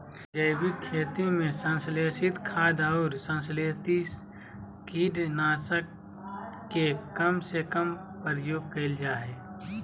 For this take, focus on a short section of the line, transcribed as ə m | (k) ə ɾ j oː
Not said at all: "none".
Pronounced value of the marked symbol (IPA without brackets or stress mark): p